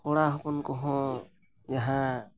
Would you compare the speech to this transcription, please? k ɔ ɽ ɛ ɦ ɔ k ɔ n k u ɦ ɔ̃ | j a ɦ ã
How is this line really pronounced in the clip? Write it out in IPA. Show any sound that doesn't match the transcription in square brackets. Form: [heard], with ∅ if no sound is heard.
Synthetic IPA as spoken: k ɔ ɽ [a] ɦ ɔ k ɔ n k [ɔ] ɦ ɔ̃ | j a ɦ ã

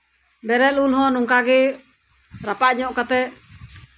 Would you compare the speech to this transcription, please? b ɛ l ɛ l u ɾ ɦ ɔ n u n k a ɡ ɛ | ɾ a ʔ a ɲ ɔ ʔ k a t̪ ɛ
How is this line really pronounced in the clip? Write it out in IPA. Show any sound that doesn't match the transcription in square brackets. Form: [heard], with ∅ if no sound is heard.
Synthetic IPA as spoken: b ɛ [ɾ] ɛ l u [l] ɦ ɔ n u [ŋ] k a ɡ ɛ | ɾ a [p] a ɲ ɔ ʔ k a t̪ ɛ

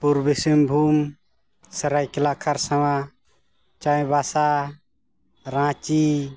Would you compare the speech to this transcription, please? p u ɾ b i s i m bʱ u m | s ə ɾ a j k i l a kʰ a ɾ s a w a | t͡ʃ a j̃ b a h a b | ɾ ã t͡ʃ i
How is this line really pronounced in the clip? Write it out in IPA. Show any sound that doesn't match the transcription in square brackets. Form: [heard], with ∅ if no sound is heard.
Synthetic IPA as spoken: p u ɾ b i s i m bʱ u m | s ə ɾ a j k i l a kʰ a ɾ s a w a | t͡ʃ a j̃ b a [s] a [∅] | ɾ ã t͡ʃ i

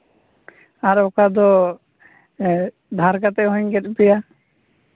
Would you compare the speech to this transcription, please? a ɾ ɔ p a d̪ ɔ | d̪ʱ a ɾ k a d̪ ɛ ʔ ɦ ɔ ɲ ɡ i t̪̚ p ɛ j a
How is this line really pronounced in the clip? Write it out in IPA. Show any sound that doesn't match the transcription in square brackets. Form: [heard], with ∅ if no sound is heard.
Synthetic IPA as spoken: a ɾ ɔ [k] a d̪ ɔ | d̪ʱ a ɾ k a [t̪] ɛ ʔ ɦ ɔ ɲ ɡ [ɛ] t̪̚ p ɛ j a

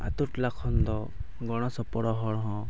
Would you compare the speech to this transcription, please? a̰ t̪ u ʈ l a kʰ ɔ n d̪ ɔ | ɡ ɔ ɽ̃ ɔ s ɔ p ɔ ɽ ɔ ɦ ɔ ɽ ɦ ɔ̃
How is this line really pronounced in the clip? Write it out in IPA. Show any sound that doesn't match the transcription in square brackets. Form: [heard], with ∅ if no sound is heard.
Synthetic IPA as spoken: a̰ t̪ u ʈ l a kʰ ɔ n d̪ ɔ | ɡ ɔ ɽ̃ ɔ s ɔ p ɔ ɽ ɔ ɦ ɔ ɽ ɦ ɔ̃

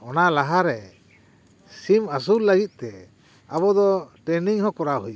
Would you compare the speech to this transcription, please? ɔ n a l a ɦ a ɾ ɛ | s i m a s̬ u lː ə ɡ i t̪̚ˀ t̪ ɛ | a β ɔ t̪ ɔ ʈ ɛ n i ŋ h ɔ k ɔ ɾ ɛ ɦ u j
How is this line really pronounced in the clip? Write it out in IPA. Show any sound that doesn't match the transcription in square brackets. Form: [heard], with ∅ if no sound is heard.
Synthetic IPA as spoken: ɔ n a l a ɦ a ɾ ɛ | s i m a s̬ u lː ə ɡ i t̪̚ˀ t̪ ɛ | a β ɔ [d̪] ɔ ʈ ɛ n i ŋ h ɔ k ɔ ɾ [a] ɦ u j

